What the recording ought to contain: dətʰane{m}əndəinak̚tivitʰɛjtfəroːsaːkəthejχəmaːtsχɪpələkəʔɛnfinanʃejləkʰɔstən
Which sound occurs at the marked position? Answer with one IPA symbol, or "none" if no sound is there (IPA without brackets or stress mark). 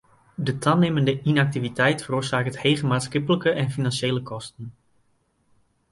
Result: m